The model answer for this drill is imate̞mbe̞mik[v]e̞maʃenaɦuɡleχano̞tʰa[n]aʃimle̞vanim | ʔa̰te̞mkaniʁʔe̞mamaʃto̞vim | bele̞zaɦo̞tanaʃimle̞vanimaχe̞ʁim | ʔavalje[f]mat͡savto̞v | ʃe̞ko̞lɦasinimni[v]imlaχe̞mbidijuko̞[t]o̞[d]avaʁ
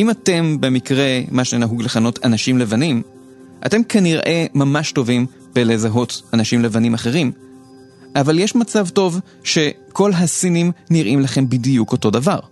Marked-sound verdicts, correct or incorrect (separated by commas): incorrect, correct, incorrect, incorrect, correct, correct